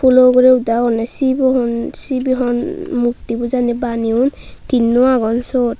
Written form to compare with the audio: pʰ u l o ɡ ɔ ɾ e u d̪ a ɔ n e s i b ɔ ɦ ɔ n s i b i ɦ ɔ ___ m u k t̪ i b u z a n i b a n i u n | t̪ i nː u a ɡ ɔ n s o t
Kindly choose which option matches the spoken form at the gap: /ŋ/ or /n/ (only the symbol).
n